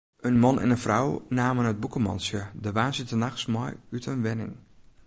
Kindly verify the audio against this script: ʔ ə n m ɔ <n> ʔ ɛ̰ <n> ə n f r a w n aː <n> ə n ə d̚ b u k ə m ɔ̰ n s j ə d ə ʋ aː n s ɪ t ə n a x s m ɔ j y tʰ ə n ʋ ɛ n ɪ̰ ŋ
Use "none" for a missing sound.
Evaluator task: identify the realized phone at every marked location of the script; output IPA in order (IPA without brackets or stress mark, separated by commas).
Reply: n, n, m